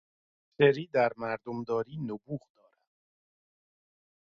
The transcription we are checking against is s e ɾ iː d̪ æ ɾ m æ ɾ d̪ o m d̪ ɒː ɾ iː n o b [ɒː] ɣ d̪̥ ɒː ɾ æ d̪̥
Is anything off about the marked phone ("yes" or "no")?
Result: yes